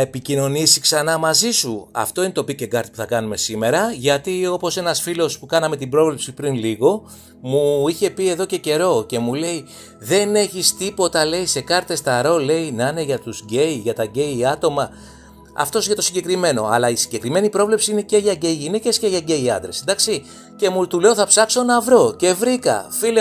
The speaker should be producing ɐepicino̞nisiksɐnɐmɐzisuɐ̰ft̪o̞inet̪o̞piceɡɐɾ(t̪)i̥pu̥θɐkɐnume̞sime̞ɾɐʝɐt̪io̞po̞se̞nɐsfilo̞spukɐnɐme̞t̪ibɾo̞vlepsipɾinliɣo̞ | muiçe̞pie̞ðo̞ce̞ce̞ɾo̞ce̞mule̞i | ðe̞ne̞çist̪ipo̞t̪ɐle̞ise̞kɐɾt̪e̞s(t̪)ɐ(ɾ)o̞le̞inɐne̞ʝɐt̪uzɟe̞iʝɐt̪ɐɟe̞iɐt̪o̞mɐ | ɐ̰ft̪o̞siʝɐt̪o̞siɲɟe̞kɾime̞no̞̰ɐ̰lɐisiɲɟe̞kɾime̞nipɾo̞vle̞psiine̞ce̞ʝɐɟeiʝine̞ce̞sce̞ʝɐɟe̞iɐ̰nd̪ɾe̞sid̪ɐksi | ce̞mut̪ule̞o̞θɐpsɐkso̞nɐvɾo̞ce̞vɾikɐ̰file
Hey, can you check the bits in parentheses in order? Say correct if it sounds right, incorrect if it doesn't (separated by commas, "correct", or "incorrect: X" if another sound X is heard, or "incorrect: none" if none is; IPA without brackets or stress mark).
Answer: correct, correct, correct